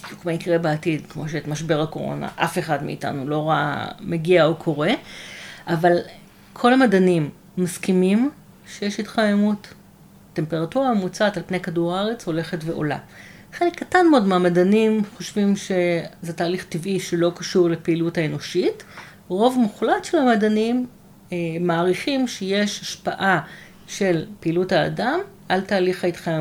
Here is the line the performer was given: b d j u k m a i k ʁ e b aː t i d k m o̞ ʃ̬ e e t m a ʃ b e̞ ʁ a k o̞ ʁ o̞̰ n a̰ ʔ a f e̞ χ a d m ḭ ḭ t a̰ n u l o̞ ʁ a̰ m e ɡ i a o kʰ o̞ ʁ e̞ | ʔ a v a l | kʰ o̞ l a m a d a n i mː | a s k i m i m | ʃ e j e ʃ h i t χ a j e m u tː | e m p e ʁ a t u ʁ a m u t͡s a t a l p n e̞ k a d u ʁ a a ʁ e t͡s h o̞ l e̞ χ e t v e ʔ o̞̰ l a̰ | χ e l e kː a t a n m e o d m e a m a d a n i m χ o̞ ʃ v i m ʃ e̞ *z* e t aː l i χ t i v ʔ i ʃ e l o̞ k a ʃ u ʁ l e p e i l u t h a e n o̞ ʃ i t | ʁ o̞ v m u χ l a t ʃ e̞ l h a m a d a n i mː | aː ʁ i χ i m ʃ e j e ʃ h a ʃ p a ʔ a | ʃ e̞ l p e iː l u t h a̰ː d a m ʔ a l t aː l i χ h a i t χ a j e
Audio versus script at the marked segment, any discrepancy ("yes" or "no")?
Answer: no